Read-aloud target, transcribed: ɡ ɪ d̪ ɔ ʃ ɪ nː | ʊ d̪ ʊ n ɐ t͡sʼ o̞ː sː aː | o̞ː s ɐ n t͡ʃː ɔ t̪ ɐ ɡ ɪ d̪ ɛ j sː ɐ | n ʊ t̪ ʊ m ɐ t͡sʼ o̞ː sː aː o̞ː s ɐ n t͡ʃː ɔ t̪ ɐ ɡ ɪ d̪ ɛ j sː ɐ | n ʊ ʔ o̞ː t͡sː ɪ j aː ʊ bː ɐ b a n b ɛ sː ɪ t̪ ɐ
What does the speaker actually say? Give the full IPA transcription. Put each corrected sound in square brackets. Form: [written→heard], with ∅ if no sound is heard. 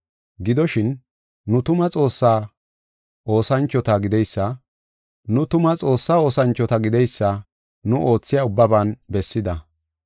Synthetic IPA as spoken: ɡ ɪ d̪ ɔ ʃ ɪ nː | ʊ [d̪→t̪] ʊ [n→m] ɐ t͡sʼ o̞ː sː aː | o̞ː s ɐ n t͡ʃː ɔ t̪ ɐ ɡ ɪ d̪ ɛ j sː ɐ | n ʊ t̪ ʊ m ɐ t͡sʼ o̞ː sː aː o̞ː s ɐ n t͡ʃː ɔ t̪ ɐ ɡ ɪ d̪ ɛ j sː ɐ | n ʊ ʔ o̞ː t͡sː ɪ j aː ʊ bː ɐ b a n b ɛ sː ɪ [t̪→d̪] ɐ

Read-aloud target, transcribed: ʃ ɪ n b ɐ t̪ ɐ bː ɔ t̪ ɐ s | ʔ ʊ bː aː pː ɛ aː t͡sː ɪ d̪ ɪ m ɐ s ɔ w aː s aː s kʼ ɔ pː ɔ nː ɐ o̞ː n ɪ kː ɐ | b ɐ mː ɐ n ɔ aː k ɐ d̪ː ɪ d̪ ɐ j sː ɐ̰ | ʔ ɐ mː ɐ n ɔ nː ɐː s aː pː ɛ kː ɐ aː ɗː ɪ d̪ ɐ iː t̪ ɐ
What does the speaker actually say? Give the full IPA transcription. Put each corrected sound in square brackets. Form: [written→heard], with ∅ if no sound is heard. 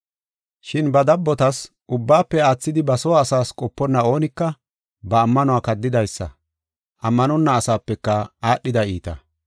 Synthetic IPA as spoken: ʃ ɪ n b ɐ [t̪→d̪] ɐ bː ɔ t̪ ɐ s | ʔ ʊ bː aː pː ɛ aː t͡sː ɪ d̪ ɪ [m→b] ɐ s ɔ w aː s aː s kʼ ɔ pː ɔ nː ɐ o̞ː n ɪ kː ɐ | b [ɐ→ɐː] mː ɐ n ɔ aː k ɐ d̪ː ɪ d̪ ɐ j sː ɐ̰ | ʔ ɐ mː ɐ n ɔ nː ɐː s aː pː ɛ kː ɐ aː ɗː ɪ d̪ ɐ iː t̪ ɐ

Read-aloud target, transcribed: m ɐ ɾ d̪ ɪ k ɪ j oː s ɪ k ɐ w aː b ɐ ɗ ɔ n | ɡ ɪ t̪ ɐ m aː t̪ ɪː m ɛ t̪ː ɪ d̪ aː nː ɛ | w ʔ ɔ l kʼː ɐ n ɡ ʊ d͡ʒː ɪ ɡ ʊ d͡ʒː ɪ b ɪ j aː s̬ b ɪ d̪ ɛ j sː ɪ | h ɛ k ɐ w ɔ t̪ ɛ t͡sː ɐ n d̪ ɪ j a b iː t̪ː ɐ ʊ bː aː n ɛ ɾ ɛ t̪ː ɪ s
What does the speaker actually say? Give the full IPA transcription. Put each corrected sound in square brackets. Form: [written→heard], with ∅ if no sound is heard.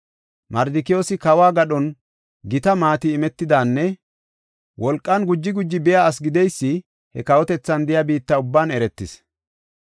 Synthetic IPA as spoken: m ɐ ɾ d̪ ɪ k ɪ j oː s ɪ k ɐ w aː [b→ɡ] ɐ ɗ ɔ n | ɡ ɪ t̪ ɐ m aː t̪ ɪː m ɛ t̪ː ɪ d̪ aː nː ɛ | w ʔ ɔ l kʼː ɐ n ɡ ʊ d͡ʒː ɪ ɡ ʊ d͡ʒː ɪ b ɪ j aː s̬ [b→ɡ] ɪ d̪ ɛ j sː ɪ | h ɛ k ɐ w ɔ t̪ ɛ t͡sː ɐ n d̪ ɪ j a b iː t̪ː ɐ ʊ bː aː n ɛ ɾ ɛ t̪ː ɪ s

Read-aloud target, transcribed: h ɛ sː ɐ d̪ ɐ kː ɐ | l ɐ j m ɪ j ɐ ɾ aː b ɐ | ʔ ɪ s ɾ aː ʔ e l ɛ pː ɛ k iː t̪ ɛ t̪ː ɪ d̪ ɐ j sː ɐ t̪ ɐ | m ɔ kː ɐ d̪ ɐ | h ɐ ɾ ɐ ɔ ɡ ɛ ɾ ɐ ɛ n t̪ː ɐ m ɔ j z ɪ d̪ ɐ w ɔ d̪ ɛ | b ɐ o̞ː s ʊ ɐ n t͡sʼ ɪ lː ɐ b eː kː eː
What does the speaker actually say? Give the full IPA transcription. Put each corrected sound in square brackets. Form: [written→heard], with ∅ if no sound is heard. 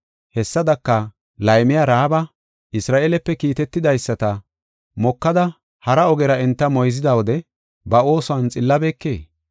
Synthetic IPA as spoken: h ɛ sː ɐ d̪ ɐ kː ɐ | l ɐ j m ɪ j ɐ ɾ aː b ɐ | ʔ ɪ s ɾ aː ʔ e l ɛ pː ɛ k iː t̪ ɛ t̪ː ɪ d̪ ɐ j sː ɐ t̪ ɐ | m ɔ kː ɐ d̪ ɐ | h ɐ ɾ ɐ ɔ ɡ ɛ ɾ ɐ ɛ n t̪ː ɐ m ɔ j z ɪ d̪ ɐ w ɔ d̪ ɛ | b ɐ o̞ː s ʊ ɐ n t͡sʼ ɪ lː ɐ b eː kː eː

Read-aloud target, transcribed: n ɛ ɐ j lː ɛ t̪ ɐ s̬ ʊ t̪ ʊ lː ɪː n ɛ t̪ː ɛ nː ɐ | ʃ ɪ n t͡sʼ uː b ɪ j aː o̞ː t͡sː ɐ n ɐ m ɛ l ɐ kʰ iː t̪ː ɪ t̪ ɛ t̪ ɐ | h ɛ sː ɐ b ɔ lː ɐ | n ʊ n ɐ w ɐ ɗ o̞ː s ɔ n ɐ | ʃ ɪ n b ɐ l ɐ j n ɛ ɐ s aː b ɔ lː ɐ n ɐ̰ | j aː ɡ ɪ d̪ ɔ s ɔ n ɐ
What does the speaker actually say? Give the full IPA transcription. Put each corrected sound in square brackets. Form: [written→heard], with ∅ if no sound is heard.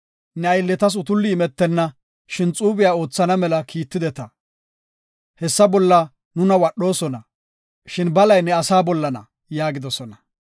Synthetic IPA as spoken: n ɛ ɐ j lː ɛ t̪ ɐ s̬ ʊ t̪ ʊ lː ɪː [n→m] ɛ t̪ː ɛ nː ɐ | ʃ ɪ n t͡sʼ uː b ɪ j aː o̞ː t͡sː ɐ n ɐ m ɛ l ɐ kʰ iː t̪ː ɪ [t̪→d̪] ɛ t̪ ɐ | h ɛ sː ɐ b ɔ lː ɐ | n ʊ n ɐ w ɐ ɗ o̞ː s ɔ n ɐ | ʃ ɪ n b ɐ l ɐ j n ɛ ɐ s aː b ɔ lː ɐ n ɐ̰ | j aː ɡ ɪ d̪ ɔ s ɔ n ɐ

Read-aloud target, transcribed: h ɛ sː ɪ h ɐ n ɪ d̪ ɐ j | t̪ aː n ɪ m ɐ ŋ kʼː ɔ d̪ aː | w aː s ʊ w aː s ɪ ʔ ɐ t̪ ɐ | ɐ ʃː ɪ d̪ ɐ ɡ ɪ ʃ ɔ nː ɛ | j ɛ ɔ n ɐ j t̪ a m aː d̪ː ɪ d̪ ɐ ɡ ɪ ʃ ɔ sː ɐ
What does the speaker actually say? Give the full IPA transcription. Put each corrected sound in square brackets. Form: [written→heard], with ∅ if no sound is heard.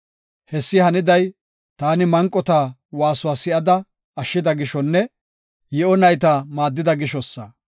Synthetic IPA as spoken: h ɛ sː ɪ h ɐ n ɪ d̪ ɐ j | t̪ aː n ɪ m ɐ ŋ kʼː ɔ [d̪→t̪] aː | w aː s ʊ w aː s ɪ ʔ ɐ [t̪→d̪] ɐ | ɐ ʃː ɪ d̪ ɐ ɡ ɪ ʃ ɔ nː ɛ | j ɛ ɔ n ɐ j t̪ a m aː d̪ː ɪ d̪ ɐ ɡ ɪ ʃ ɔ sː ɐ

